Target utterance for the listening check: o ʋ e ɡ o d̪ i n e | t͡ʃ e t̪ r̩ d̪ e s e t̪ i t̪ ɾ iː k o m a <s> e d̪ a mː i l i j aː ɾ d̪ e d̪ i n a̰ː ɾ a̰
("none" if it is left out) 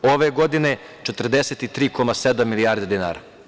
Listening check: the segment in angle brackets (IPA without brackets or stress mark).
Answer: s